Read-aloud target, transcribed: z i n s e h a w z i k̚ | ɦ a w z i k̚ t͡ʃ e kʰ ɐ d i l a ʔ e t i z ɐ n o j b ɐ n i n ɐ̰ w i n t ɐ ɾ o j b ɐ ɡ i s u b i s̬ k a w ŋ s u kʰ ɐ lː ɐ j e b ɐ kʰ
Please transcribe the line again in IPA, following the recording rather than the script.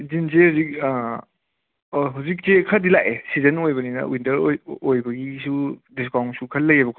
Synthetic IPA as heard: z i n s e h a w z i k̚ | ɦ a w z i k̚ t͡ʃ e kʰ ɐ d i l a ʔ e s i z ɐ n o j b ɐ n i n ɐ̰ w i n t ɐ ɾ o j b ɐ ɡ i s u d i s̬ k a w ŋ s u kʰ ɐ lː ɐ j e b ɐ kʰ